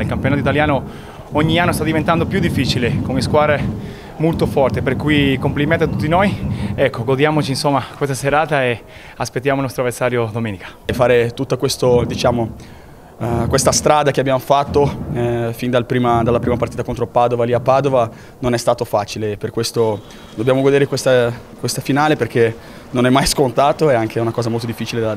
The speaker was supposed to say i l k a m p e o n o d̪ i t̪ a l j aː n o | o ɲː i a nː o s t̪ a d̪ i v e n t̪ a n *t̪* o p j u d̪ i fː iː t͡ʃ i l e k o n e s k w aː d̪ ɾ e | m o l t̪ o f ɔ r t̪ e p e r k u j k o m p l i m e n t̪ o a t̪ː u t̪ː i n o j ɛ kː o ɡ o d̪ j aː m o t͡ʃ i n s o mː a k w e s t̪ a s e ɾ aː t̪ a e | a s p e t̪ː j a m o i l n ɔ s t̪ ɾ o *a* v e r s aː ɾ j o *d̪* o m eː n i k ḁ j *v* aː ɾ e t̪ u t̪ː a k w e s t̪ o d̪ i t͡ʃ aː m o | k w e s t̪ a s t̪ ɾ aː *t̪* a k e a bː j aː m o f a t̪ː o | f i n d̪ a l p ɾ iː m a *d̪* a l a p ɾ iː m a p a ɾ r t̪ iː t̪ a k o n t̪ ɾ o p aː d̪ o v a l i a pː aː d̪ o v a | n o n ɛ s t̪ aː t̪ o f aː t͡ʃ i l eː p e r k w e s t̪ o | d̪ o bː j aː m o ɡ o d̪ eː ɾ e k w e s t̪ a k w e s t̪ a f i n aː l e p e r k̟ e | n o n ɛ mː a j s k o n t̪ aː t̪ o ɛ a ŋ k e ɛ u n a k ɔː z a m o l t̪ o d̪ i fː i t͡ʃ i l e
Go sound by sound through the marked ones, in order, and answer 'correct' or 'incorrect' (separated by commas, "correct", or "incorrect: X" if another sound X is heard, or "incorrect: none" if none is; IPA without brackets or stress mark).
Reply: incorrect: d̪, correct, correct, incorrect: f, incorrect: d̪, correct